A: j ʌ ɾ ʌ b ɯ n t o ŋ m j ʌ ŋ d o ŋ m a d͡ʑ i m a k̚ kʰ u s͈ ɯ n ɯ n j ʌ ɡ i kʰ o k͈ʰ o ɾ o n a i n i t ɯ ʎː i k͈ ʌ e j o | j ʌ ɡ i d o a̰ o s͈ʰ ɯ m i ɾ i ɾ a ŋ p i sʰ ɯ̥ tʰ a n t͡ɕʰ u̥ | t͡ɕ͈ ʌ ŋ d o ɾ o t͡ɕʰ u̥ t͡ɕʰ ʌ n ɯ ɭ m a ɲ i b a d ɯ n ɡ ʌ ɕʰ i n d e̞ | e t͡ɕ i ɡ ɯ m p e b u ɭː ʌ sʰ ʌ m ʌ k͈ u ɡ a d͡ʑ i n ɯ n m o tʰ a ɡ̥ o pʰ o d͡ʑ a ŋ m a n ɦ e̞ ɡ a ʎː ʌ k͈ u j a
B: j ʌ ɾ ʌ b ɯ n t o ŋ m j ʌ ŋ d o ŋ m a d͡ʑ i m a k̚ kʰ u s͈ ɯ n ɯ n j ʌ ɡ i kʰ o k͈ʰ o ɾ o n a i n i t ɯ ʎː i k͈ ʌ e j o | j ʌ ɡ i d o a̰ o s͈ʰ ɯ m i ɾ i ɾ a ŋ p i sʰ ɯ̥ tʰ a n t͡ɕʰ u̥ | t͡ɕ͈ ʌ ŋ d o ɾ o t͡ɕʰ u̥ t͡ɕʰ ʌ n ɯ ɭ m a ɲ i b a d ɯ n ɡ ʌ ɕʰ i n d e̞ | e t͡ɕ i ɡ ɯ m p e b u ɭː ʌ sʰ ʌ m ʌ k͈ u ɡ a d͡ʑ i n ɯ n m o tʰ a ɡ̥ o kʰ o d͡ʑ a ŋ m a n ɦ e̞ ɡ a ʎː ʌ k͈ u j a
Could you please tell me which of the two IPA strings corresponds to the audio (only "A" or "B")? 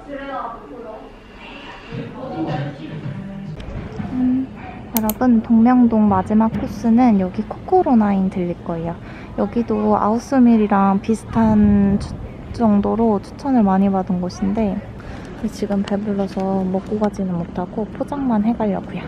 A